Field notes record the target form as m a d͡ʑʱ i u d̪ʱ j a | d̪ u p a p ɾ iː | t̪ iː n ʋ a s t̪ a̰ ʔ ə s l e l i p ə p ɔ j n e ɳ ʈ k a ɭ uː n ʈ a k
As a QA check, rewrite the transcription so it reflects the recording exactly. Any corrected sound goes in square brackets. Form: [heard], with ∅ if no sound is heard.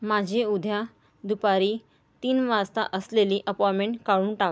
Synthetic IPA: m a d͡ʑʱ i u d̪ʱ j a | d̪ u p a [∅] ɾ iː | t̪ iː n ʋ a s t̪ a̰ ʔ ə s l e l i [ʔ] ə p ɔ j [m] e ɳ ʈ k a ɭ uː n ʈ a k